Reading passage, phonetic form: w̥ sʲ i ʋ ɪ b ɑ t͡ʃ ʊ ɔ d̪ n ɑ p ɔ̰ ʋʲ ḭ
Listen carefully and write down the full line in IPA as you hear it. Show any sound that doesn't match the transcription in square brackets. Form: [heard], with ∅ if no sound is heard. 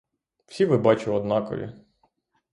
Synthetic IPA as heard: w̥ sʲ i ʋ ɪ b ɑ t͡ʃ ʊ ɔ d̪ n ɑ [k] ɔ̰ ʋʲ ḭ